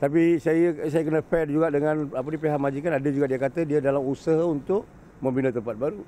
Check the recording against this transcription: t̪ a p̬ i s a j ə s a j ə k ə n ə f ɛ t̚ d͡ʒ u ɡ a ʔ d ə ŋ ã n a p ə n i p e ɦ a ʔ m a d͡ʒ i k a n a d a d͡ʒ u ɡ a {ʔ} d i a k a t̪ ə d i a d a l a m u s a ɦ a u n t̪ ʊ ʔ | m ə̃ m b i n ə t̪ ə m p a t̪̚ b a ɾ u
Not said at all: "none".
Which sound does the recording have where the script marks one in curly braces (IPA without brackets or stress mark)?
ʔ